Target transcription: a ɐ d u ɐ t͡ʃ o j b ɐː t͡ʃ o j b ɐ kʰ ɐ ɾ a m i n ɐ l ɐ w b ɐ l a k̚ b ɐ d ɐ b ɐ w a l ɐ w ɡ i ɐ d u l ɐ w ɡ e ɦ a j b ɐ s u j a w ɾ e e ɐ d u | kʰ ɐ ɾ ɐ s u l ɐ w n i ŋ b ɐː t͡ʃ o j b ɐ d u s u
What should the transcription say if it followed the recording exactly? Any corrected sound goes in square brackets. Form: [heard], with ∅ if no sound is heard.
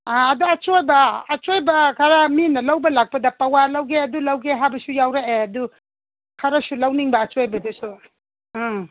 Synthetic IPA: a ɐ d u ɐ t͡ʃ o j b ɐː t͡ʃ o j b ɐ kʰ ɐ ɾ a m i n ɐ l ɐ w b ɐ l a k̚ [p] ɐ d ɐ [p] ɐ w a l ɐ w ɡ [e] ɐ d u l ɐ w ɡ e ɦ a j b ɐ s u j a w ɾ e e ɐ d u | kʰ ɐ ɾ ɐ s u l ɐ w n i ŋ b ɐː t͡ʃ o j b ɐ d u s u